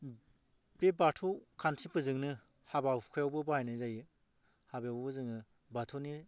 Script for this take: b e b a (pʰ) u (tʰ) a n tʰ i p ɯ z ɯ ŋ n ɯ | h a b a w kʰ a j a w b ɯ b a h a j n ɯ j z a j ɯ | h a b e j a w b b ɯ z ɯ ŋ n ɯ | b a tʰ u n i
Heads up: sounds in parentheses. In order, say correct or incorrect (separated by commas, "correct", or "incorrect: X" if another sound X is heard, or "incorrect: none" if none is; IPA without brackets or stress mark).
incorrect: tʰ, incorrect: kʰ